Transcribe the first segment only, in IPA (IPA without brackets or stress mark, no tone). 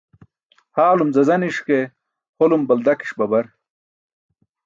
h